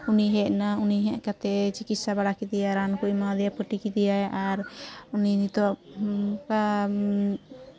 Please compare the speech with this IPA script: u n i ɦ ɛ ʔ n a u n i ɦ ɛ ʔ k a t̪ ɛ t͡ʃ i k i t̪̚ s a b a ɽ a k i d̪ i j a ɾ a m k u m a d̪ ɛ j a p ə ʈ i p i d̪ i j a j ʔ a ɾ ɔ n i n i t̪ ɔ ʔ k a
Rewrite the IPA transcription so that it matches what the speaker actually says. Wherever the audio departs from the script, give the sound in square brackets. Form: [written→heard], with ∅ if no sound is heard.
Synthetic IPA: u n i ɦ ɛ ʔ n a u n i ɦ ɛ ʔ k a t̪ ɛ t͡ʃ i k i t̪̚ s a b a ɽ a k i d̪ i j a ɾ a [m→n] k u m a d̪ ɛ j a p ə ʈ i [p→k] i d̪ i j a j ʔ a ɾ [ɔ→u] n i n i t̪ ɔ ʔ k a

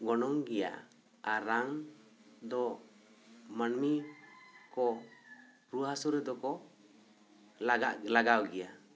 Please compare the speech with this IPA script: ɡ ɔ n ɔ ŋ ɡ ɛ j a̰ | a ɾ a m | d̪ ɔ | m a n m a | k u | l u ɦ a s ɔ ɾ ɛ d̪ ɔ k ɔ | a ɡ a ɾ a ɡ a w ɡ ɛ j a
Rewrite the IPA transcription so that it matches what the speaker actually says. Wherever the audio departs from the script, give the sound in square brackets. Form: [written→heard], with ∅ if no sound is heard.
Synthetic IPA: ɡ ɔ n ɔ ŋ ɡ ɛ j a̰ | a ɾ a [m→ŋ] | d̪ ɔ | m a n m [a→i] | k [u→ɔ] | [l→ɾ] u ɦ a s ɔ ɾ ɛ d̪ ɔ k ɔ | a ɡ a [ɾ→l] a ɡ a w ɡ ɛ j a

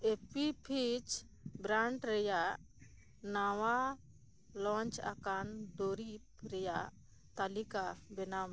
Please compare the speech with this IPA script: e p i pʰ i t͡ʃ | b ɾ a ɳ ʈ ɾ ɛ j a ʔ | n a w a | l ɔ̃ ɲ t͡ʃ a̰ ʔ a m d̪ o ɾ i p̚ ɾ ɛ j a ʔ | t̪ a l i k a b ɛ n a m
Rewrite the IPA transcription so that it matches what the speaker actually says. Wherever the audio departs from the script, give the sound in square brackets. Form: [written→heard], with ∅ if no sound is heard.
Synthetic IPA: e p i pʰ i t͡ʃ | b ɾ a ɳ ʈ ɾ ɛ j a ʔ | n a w a | l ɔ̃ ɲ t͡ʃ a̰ [ʔ→k] a [m→n] d̪ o ɾ i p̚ ɾ ɛ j a ʔ | t̪ a l i k a b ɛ n a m

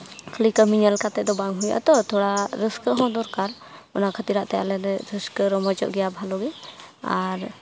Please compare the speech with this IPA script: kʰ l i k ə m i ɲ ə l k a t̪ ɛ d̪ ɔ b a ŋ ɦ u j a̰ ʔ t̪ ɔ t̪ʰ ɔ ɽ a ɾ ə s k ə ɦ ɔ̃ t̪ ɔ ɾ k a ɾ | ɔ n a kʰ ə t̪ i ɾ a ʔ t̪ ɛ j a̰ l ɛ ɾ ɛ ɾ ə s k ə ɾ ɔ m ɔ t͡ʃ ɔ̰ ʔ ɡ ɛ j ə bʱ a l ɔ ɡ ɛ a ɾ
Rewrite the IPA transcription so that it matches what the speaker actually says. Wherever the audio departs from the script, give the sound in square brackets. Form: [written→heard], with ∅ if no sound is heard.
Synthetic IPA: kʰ l i k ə m i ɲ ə l k a t̪ ɛ d̪ ɔ b a ŋ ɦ u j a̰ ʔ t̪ ɔ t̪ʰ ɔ ɽ a ɾ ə s k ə ɦ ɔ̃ [t̪→d̪] ɔ ɾ k a ɾ | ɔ n a kʰ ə t̪ i ɾ a ʔ t̪ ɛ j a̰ l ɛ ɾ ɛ ɾ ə s k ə ɾ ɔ m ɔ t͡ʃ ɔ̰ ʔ ɡ ɛ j [ə→a] bʱ a l ɔ ɡ ɛ a ɾ

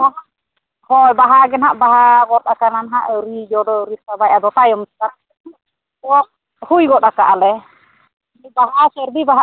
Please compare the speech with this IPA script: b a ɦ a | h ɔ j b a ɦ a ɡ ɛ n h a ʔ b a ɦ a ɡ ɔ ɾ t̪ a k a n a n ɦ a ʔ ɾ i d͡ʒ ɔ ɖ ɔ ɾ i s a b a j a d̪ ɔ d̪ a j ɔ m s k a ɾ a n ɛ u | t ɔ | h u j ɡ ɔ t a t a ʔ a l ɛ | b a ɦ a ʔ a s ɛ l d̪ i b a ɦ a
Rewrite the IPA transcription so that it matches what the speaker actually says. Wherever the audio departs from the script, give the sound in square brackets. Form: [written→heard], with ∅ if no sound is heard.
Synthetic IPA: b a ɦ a | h ɔ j b a ɦ a ɡ ɛ n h a ʔ b a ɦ a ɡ ɔ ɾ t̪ a k a n a n ɦ a ʔ ɾ i d͡ʒ ɔ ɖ ɔ ɾ i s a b a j a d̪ ɔ [d̪→t̪] a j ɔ m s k a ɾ a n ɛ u | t ɔ | h u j ɡ ɔ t a [t→k] a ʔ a l ɛ | b a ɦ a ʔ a s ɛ [l→ɾ] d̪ i b a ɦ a

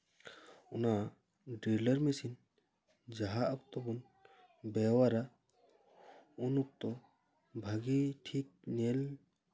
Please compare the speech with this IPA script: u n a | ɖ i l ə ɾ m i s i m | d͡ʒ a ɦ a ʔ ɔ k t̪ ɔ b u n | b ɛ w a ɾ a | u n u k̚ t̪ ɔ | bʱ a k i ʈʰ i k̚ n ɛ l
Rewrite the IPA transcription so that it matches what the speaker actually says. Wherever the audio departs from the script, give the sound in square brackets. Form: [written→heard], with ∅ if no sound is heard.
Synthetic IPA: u n a | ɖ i l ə ɾ m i s i [m→n] | d͡ʒ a ɦ a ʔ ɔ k t̪ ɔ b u n | b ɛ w a ɾ a | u n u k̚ t̪ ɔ | bʱ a [k→ɡ] i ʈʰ i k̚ n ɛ l

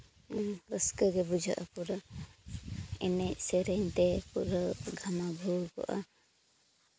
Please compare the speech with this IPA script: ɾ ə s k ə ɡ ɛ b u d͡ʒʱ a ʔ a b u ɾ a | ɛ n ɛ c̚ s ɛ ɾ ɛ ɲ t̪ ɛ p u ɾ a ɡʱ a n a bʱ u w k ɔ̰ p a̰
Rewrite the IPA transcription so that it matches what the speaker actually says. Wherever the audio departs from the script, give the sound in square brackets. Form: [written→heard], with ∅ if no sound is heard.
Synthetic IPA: ɾ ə s k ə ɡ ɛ b u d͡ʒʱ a ʔ a [b→p] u ɾ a | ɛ n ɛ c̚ s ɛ ɾ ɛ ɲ t̪ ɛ p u ɾ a ɡʱ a [n→m] a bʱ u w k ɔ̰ [p→ʔ] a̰

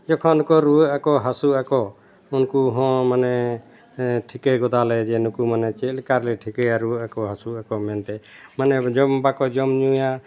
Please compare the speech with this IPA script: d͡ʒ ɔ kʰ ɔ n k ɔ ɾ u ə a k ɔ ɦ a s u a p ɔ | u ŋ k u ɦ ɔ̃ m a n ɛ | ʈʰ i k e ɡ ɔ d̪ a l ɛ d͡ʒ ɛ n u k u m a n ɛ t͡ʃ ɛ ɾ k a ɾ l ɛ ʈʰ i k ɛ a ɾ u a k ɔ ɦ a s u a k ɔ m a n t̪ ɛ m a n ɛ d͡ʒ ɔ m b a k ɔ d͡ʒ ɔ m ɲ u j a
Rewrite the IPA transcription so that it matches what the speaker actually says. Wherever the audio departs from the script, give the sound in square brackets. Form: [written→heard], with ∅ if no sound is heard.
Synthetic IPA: d͡ʒ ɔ kʰ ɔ n k ɔ ɾ u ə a k ɔ ɦ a s u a [p→k] ɔ | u [ŋ→n] k u ɦ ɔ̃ m a n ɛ | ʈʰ i k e ɡ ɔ d̪ a l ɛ d͡ʒ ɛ n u k u m a n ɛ t͡ʃ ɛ [ɾ→l] k a ɾ l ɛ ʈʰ i k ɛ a ɾ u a k ɔ ɦ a s u a k ɔ m [a→ɛ] n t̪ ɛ m a n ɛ d͡ʒ ɔ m b a k ɔ d͡ʒ ɔ m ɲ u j a

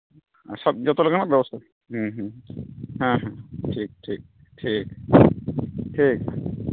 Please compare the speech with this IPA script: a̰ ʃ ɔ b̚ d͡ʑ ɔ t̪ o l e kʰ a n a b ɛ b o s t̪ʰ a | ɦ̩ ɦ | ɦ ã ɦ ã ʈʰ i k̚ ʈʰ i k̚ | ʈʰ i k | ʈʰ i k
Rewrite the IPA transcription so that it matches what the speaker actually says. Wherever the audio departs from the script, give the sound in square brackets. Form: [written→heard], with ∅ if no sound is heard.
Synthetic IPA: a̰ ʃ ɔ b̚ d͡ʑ ɔ t̪ o l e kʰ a n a b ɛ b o s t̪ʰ a | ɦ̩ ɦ | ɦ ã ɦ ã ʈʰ i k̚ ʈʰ i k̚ | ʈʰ i k | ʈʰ i k

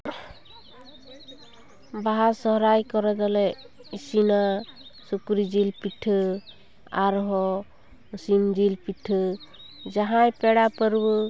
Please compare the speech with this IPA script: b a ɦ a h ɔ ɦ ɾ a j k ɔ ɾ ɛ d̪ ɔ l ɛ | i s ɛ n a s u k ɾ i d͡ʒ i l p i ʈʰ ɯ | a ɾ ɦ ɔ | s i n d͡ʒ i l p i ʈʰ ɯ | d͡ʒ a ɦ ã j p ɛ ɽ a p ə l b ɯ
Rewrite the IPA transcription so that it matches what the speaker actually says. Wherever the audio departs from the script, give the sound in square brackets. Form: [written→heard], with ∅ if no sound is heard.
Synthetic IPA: b a ɦ a [h→s] ɔ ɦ ɾ a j k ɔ ɾ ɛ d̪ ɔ l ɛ | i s [ɛ→i] n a s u k ɾ i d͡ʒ i l p i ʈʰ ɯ | a ɾ ɦ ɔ | s i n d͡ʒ i l p i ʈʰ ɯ | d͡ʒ a ɦ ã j p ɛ ɽ a p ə [l→ɾ] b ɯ

